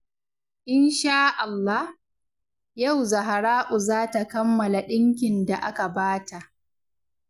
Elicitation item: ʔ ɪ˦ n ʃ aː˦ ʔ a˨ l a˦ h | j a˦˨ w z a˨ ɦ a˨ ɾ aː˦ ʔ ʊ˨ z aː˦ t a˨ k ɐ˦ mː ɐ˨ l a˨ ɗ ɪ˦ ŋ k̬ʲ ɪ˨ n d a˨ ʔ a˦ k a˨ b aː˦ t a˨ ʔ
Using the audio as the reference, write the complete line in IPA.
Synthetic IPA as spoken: ʔ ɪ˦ n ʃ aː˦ ʔ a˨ lː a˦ h | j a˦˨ w z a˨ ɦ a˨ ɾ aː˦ ʔ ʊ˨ z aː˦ t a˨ k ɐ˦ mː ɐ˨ l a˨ ɗ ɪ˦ ŋ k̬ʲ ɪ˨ n d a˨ ʔ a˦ k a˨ b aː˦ t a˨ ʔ